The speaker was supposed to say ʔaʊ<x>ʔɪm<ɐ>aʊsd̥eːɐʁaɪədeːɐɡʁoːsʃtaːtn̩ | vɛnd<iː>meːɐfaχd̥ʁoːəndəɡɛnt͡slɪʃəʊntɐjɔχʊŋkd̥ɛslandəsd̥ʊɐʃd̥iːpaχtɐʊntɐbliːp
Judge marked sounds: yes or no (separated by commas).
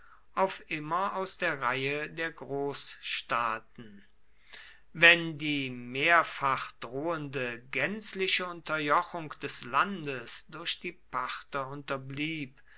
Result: no, yes, yes